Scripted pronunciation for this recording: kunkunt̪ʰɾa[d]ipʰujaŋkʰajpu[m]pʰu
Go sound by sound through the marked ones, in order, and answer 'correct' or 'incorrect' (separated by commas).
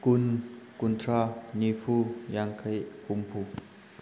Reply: incorrect, correct